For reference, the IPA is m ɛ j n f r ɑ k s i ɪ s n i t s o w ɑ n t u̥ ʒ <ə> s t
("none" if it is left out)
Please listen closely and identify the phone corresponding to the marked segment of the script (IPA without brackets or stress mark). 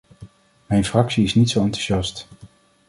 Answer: ɑ